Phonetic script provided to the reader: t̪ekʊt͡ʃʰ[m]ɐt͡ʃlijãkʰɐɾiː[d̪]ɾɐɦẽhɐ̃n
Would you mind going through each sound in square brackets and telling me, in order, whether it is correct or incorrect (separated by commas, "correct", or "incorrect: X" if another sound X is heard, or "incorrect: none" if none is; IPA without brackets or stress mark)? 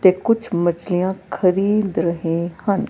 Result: correct, correct